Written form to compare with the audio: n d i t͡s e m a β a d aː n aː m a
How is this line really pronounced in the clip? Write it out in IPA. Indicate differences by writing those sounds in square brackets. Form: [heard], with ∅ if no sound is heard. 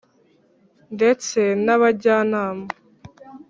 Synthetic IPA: n d [e] t͡s e [n] a β a [ɟ] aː n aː m a